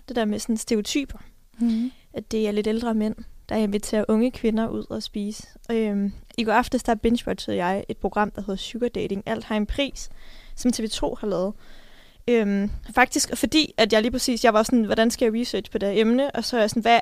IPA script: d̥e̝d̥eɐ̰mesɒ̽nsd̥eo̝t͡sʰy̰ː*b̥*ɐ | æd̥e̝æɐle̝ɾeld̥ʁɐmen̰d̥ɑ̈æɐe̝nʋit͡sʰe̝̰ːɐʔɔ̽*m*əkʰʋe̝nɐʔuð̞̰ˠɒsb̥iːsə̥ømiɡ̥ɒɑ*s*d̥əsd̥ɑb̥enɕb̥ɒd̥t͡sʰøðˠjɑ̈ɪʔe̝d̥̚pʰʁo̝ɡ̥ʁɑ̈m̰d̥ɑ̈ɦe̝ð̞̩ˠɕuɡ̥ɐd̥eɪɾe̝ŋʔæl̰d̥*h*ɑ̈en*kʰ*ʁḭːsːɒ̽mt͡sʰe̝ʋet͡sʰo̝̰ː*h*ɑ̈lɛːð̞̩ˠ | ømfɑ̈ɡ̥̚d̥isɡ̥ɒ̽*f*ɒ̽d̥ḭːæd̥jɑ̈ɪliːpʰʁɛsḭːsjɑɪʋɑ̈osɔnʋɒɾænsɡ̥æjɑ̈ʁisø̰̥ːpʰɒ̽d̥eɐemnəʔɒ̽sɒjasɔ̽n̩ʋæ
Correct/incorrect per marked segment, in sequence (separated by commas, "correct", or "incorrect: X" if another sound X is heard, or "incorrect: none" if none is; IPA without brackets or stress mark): correct, incorrect: ŋ, incorrect: f, correct, incorrect: pʰ, correct, correct